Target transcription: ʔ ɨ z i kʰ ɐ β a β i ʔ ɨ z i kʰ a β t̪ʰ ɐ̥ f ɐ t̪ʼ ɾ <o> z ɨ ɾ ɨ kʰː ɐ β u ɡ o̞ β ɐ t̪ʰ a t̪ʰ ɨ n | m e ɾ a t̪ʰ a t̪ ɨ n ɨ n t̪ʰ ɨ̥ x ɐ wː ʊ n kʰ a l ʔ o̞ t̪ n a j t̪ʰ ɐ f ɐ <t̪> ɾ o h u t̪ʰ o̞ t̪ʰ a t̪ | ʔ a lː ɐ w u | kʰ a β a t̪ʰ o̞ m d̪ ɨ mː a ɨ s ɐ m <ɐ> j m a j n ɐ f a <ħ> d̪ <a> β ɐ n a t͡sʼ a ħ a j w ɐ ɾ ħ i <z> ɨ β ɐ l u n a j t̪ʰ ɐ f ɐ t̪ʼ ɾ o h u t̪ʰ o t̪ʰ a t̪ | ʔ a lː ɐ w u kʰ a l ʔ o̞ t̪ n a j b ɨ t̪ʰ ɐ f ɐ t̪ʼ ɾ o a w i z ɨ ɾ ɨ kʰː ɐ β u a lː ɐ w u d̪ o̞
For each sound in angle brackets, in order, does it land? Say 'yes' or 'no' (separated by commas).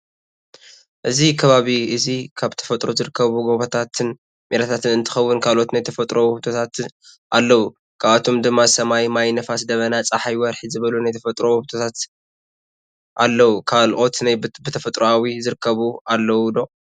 yes, no, no, no, no, yes